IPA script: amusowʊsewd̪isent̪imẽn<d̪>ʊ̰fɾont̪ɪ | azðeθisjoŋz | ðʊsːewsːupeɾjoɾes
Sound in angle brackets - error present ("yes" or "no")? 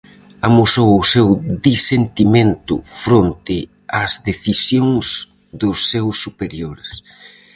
yes